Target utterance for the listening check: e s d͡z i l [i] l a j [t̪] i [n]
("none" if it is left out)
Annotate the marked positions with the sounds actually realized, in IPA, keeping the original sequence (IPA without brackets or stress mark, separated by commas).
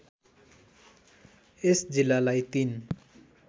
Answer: a, t̪, n